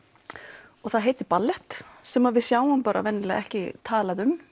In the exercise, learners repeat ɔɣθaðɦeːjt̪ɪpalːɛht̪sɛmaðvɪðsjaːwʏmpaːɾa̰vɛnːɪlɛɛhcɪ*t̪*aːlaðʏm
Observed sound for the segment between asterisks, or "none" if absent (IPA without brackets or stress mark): t̪ʰ